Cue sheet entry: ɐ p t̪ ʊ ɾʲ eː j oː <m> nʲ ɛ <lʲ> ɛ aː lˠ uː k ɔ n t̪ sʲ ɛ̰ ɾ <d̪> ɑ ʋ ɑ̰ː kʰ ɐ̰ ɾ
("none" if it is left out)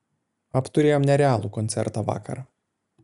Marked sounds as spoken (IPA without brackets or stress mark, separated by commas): m, ɾʲ, t̪